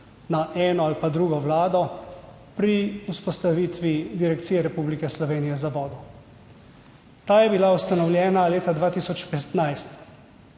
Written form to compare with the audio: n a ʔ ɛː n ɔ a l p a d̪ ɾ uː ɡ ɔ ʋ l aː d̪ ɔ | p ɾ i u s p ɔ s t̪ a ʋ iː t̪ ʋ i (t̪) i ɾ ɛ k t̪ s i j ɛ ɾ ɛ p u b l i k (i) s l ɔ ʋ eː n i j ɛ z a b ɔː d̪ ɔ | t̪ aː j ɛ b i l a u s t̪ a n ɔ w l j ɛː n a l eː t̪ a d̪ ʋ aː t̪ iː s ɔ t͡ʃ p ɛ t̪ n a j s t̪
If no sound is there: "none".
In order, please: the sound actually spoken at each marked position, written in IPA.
d̪, ɛ

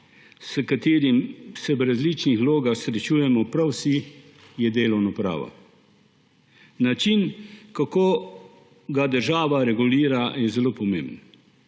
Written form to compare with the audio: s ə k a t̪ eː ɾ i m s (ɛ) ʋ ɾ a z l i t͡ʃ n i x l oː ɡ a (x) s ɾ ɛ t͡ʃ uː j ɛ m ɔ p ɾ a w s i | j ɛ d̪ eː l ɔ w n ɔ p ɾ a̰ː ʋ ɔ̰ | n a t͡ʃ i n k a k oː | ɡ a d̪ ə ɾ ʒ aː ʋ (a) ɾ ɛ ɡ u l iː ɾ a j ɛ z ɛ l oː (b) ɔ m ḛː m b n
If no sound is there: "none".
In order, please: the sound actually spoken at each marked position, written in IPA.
ɛ, x, a, p

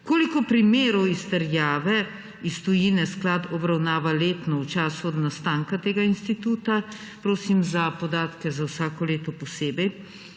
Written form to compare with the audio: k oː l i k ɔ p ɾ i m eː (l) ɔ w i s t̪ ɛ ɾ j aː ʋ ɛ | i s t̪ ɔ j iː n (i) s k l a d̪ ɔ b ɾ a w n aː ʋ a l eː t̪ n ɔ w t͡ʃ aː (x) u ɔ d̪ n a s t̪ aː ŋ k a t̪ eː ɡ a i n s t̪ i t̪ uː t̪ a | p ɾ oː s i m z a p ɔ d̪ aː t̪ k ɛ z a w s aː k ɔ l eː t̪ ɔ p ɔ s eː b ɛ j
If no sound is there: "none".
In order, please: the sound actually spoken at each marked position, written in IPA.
ɾ, ɛ, s

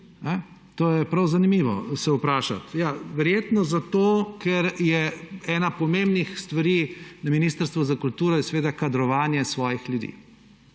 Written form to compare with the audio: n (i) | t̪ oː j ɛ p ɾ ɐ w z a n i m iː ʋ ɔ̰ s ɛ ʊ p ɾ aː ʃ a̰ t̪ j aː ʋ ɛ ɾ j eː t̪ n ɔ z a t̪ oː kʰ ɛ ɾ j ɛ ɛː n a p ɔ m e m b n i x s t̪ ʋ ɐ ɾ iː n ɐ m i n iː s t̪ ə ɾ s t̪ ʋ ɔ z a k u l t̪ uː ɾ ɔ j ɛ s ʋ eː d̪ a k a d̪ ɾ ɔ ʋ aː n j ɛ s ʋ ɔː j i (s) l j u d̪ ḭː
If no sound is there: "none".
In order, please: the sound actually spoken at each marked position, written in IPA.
ɛ, x

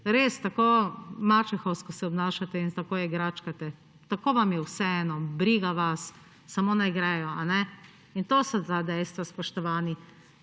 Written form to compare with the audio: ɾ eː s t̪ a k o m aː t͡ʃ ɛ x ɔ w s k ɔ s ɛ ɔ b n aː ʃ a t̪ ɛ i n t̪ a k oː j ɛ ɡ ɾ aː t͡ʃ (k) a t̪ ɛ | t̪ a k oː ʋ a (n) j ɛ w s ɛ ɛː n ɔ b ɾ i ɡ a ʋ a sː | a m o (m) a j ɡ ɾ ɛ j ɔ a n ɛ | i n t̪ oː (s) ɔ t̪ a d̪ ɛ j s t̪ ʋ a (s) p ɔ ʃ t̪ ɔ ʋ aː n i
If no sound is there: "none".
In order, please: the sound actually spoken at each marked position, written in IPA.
k, m, n, s, s

